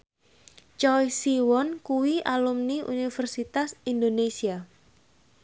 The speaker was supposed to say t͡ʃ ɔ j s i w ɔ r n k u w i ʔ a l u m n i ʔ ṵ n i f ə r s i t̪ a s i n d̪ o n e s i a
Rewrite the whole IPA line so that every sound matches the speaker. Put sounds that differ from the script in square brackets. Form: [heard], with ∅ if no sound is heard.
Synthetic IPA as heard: t͡ʃ ɔ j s i w ɔ [∅] n k u w i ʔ a l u m n i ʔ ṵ n i f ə r s i t̪ a s i n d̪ o n e s i a